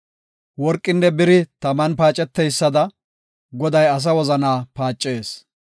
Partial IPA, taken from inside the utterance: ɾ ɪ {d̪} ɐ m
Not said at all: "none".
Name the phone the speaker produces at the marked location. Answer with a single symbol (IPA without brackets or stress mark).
t̪